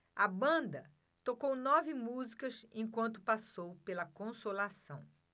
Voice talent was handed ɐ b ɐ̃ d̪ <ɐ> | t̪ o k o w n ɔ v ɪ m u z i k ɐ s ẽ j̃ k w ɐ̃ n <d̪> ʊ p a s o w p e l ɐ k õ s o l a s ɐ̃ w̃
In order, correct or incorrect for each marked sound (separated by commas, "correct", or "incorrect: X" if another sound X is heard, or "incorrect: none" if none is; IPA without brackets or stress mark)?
correct, incorrect: t̪